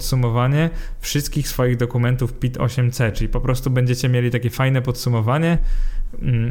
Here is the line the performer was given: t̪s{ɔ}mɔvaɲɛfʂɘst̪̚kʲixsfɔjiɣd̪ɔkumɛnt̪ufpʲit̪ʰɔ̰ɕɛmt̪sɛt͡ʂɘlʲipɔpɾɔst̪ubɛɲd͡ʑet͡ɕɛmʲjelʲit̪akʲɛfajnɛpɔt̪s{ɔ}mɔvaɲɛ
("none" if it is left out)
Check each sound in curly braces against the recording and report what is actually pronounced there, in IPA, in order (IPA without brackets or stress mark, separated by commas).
u, u